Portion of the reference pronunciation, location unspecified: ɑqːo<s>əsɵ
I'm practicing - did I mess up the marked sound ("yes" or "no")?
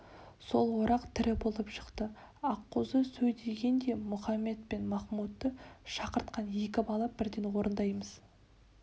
yes